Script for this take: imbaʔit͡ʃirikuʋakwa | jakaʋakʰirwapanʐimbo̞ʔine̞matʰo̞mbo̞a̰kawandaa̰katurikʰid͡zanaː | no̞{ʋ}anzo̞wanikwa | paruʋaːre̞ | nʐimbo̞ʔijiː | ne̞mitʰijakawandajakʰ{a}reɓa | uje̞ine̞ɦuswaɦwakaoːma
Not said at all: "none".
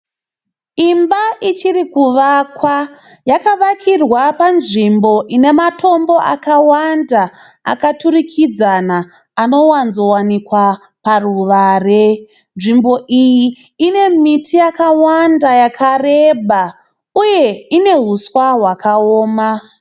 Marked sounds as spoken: w, a

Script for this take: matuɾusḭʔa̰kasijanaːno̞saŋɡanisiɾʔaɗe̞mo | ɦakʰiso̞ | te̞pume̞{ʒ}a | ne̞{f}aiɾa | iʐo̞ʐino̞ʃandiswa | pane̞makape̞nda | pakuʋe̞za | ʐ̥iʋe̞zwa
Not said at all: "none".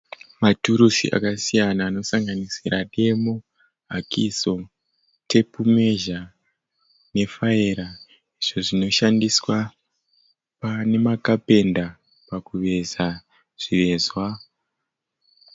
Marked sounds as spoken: ʒ, f

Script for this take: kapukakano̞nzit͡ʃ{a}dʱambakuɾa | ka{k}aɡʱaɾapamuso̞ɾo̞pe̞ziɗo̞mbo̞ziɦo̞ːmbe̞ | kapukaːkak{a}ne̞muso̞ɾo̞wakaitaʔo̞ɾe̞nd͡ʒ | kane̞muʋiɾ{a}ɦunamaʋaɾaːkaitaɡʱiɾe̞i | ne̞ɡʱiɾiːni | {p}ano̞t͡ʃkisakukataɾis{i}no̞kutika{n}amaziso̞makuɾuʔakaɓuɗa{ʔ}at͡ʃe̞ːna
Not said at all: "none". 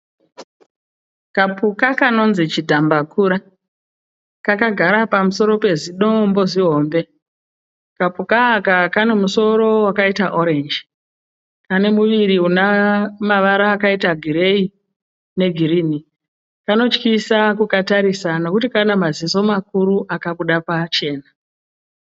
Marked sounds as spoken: i, k, a, i, k, a, n, p

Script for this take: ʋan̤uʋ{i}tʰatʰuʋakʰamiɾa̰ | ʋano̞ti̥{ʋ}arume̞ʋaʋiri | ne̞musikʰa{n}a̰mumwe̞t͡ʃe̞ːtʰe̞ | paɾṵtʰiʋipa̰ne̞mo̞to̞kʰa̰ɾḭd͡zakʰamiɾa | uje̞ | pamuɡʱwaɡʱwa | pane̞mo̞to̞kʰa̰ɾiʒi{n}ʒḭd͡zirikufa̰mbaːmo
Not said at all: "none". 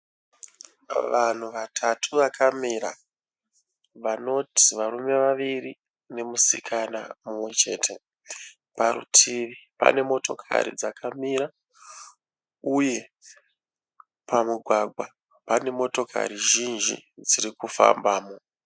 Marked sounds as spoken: a, ʋ, n, n

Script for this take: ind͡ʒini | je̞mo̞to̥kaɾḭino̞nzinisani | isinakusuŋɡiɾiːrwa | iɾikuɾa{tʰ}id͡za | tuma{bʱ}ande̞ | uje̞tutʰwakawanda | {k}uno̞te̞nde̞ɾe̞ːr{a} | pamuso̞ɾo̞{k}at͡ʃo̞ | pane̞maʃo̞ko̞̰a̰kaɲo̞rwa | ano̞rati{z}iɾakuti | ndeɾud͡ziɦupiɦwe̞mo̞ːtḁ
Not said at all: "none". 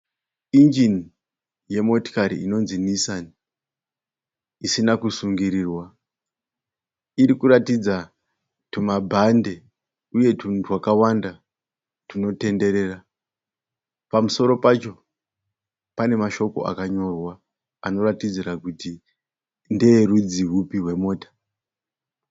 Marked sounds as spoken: t, bʱ, t, a, p, d͡z

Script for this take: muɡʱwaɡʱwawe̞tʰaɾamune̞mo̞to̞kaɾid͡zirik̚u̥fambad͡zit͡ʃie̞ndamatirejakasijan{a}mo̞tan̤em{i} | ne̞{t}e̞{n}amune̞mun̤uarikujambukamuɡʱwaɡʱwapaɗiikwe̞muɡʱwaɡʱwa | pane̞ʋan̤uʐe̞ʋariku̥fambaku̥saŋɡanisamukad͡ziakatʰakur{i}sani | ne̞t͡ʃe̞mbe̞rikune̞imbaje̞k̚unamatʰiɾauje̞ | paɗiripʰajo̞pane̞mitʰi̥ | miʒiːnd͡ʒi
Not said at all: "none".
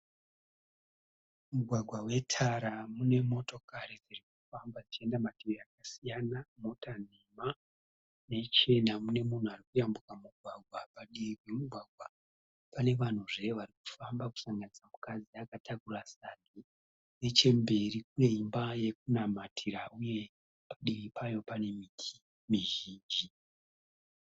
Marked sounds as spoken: a, a, t͡ʃ, n, a

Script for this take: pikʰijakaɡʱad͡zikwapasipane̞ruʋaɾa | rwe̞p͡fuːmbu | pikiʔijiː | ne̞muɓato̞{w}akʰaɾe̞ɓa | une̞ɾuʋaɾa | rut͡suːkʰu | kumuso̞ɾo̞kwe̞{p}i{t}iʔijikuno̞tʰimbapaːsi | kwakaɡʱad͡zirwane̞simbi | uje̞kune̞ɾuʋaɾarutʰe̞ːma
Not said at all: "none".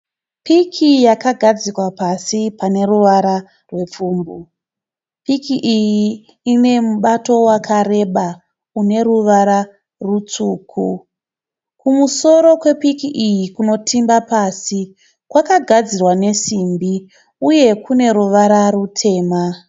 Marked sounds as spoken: w, p, k

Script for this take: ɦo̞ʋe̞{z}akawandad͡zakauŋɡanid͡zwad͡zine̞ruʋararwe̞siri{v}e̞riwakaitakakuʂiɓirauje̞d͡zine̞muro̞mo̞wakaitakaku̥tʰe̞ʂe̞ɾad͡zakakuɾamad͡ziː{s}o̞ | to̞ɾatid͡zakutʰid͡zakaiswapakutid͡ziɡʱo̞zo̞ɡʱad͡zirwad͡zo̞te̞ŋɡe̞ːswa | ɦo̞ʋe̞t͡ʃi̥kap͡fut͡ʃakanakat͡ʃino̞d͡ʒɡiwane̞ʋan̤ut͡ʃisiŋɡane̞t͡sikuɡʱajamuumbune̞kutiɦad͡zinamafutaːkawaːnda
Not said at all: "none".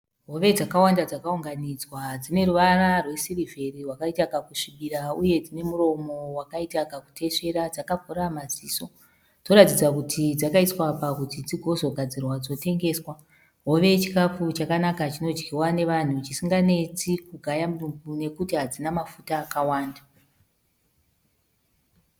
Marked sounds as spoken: d͡z, v, s

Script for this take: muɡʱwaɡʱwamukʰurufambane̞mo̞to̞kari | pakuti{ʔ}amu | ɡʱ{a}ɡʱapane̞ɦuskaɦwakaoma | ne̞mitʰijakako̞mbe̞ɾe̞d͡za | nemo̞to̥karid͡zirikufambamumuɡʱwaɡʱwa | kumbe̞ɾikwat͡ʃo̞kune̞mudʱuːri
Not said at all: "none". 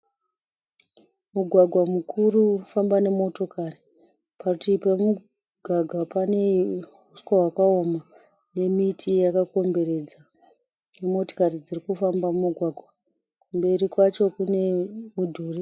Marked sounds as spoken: p, a

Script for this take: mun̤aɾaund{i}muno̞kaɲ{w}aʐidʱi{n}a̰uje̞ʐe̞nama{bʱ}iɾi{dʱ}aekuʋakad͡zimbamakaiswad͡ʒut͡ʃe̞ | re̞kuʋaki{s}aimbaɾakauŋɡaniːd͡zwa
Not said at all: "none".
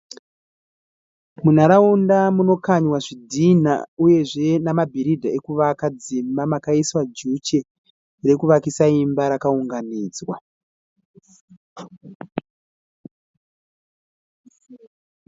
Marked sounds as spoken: a, w, n, bʱ, dʱ, s

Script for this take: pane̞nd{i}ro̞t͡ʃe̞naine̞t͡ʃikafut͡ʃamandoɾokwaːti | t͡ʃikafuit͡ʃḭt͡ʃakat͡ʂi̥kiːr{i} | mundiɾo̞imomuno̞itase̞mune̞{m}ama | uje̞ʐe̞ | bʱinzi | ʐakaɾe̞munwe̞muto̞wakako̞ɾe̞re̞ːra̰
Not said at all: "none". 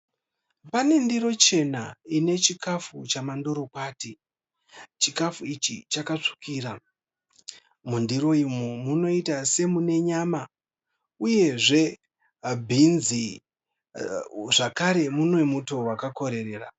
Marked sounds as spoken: i, a, ɲ

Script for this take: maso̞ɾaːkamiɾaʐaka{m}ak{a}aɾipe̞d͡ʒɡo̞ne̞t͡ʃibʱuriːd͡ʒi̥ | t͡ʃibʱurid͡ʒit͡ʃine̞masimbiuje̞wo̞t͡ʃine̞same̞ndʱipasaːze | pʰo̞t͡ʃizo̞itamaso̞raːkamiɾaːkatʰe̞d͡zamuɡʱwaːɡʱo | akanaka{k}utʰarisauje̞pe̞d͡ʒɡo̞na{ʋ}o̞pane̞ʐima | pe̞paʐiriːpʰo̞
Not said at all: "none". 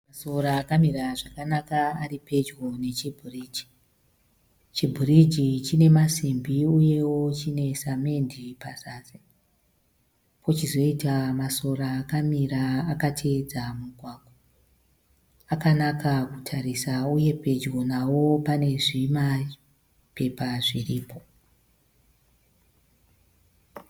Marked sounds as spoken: n, a, k, w

